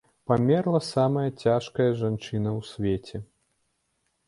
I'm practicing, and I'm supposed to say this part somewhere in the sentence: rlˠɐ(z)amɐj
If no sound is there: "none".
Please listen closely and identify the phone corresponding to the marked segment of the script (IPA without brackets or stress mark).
s